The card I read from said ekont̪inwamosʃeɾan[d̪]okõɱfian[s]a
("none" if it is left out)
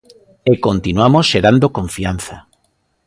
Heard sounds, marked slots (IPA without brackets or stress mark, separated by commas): d̪, θ